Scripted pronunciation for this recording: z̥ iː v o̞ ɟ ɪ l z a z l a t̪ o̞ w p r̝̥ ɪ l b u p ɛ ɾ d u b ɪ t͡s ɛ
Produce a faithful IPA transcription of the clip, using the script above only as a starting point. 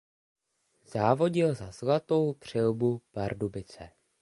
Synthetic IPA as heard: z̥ aː v o̞ ɟ ɪ l z a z l a t̪ o̞ w p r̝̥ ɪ l b u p a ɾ d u b ɪ t͡s ɛ